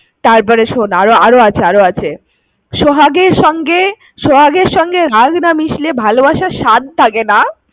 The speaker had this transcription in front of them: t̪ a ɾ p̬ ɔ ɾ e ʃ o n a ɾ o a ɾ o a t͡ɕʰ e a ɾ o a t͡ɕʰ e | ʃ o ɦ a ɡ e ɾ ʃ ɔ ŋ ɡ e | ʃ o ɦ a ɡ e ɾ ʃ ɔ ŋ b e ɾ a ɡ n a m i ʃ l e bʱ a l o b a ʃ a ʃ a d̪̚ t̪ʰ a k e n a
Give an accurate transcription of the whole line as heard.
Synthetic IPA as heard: t̪ a ɾ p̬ ɔ ɾ e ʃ o n a ɾ o a ɾ o a t͡ɕʰ e a ɾ o a t͡ɕʰ e | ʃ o ɦ a ɡ e ɾ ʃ ɔ ŋ ɡ e | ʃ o ɦ a ɡ e ɾ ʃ ɔ ŋ ɡ e ɾ a ɡ n a m i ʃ l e bʱ a l o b a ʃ a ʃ a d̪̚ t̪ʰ a k e n a